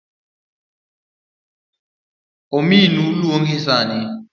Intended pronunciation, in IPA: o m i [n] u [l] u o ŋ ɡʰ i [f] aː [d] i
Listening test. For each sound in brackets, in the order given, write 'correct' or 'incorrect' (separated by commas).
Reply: correct, correct, incorrect, incorrect